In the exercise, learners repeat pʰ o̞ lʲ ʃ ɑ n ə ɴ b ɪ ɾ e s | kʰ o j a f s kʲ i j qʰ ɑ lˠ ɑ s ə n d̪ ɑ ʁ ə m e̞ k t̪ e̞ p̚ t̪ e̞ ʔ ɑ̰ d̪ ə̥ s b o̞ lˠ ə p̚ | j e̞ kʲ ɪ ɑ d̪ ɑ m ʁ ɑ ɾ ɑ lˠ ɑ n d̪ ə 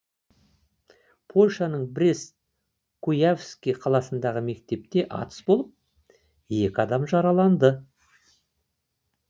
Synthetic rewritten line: pʰ o̞ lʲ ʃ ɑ n ə ɴ b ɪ ɾ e s | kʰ u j a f s kʲ i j qʰ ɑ lˠ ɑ s ə n d̪ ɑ ʁ ə m e̞ k t̪ e̞ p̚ t̪ e̞ ʔ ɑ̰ t̪ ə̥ s b o̞ lˠ ə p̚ | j e̞ kʲ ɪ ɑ d̪ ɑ m ʒ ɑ ɾ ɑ lˠ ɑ n d̪ ə